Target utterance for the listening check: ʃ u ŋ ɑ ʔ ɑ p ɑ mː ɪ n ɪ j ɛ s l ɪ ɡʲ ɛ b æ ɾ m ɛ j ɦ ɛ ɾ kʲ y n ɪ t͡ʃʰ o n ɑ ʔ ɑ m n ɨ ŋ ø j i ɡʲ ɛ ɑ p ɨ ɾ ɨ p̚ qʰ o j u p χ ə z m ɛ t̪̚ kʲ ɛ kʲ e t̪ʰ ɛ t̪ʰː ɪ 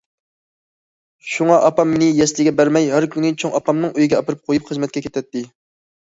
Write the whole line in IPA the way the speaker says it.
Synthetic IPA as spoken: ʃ u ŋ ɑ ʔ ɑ p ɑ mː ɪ n ɪ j ɛ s l ɪ ɡʲ ɛ b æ ɾ m ɛ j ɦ æ ɾ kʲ y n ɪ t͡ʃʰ o ŋ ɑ p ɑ m n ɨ ŋ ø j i ɡʲ ɛ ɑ p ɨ ɾ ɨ p̚ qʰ o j u p χ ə z m ɛ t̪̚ kʲ ɛ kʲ e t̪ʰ ɛ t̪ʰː ɪ